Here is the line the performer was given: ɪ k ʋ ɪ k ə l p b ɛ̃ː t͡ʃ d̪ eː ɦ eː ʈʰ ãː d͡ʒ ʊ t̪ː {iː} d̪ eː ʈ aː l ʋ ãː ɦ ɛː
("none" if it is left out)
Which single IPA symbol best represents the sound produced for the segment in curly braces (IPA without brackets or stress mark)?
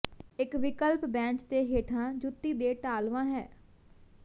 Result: iː